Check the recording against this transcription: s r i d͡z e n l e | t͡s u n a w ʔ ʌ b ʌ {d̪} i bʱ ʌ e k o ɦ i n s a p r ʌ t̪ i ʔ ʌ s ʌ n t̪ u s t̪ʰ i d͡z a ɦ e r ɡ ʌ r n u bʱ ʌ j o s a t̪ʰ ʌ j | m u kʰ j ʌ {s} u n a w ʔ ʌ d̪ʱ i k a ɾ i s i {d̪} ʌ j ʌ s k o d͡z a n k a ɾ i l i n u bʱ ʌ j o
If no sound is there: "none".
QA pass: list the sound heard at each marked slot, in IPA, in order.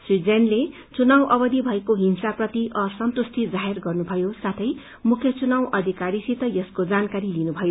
d̪, t͡s, t̪

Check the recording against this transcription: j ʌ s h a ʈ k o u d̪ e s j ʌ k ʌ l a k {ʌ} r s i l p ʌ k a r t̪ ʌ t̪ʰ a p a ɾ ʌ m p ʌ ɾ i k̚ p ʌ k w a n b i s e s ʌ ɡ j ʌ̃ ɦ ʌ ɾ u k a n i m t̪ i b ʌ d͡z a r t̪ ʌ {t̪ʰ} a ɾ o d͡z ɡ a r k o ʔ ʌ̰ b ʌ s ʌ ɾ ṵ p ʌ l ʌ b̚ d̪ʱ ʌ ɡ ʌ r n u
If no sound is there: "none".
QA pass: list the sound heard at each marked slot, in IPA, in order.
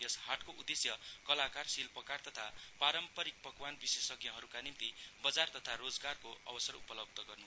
a, t̪ʰ

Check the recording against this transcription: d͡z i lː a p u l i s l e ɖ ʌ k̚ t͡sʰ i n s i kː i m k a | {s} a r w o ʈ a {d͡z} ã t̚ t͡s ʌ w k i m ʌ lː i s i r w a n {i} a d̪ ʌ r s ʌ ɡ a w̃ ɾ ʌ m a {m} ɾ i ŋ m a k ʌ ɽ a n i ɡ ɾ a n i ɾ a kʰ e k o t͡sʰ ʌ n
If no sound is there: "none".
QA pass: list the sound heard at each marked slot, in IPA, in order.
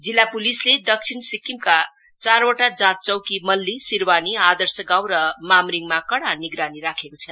t͡s, d͡z, i, m

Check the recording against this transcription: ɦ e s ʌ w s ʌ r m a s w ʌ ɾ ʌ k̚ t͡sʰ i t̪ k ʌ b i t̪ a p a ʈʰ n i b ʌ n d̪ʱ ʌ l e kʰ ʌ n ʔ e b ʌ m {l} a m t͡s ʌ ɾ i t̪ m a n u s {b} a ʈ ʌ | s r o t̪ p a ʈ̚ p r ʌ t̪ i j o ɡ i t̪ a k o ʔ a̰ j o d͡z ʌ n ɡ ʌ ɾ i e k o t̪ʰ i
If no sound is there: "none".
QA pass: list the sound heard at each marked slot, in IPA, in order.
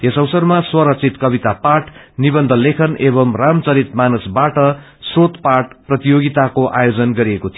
r, b

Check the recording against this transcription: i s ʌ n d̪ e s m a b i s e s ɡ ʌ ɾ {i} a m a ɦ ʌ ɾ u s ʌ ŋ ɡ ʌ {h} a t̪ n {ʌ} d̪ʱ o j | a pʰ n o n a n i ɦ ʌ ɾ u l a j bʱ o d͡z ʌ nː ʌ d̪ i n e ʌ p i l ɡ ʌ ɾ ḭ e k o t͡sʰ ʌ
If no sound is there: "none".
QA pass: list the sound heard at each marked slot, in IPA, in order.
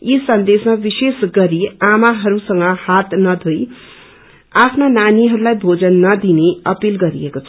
i, h, ʌ

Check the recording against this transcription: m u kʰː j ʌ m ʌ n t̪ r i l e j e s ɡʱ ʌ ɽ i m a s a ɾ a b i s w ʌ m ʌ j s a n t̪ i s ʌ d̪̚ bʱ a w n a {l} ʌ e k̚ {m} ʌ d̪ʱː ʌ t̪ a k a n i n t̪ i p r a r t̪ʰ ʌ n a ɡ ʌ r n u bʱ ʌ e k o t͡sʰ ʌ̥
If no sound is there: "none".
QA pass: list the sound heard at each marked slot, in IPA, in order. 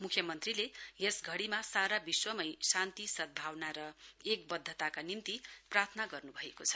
ɾ, b

